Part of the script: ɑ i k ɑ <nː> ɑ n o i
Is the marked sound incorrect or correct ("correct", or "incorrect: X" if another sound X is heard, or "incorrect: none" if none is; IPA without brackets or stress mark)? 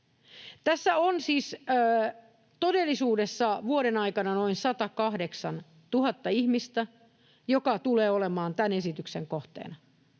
incorrect: n